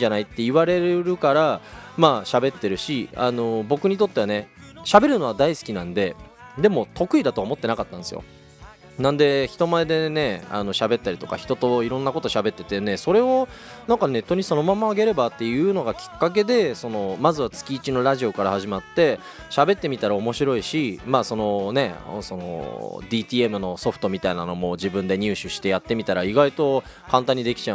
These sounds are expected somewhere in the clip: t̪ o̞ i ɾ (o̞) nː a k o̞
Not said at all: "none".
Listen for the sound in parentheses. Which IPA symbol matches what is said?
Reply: õ̞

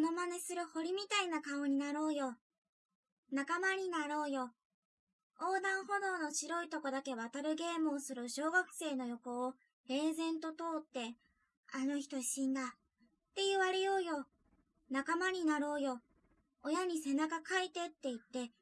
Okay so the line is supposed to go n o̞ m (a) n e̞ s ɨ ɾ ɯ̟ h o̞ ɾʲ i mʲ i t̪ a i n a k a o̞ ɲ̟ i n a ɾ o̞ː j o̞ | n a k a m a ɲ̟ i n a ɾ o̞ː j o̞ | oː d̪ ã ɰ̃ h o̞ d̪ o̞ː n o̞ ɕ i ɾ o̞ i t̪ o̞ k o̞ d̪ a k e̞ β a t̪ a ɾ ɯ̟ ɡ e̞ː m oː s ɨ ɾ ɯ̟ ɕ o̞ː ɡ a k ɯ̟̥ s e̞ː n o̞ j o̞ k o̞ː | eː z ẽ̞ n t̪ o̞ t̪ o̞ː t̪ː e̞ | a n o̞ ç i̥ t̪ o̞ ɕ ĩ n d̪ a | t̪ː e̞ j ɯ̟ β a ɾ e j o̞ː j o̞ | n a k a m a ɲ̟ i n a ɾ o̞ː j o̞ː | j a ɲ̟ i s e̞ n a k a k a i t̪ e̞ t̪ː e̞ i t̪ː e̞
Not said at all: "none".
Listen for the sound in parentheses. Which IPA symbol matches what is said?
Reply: a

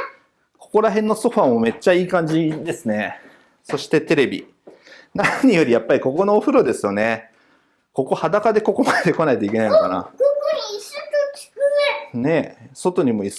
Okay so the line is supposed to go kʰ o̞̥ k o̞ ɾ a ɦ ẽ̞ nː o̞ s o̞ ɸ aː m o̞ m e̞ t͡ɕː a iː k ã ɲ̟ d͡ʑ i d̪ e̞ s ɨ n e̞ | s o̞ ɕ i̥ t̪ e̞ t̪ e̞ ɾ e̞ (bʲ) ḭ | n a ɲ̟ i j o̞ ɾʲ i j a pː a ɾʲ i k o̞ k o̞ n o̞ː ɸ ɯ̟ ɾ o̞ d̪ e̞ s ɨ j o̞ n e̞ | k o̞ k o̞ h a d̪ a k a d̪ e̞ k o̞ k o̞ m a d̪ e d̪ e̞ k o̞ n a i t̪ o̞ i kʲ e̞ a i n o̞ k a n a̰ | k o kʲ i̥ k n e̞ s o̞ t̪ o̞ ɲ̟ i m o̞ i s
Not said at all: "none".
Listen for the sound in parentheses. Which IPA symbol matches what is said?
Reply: bʲ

